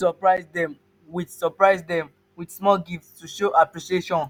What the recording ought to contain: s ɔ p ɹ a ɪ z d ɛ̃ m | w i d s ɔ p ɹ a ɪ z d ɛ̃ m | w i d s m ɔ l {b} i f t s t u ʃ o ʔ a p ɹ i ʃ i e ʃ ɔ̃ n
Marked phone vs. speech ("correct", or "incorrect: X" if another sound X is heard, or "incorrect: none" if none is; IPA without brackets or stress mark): incorrect: ɡ